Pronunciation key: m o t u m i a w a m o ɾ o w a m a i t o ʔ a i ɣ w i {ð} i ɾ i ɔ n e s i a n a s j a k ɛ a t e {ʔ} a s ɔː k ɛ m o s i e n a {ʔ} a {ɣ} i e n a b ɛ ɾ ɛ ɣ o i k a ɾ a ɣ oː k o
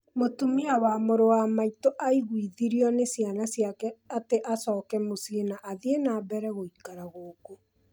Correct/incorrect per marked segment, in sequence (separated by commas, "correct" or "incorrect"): correct, correct, correct, incorrect